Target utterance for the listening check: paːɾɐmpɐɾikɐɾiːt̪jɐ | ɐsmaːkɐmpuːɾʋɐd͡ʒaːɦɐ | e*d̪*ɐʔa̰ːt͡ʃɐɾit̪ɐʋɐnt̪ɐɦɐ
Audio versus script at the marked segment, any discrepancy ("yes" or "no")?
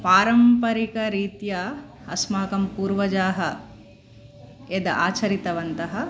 no